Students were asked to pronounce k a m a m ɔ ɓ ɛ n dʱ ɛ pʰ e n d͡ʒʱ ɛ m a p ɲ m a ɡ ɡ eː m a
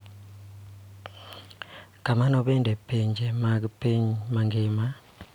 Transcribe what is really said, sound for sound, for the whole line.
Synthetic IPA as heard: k a m a n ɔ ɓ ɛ n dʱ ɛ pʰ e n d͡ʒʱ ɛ m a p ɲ m a ŋ ɡ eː m a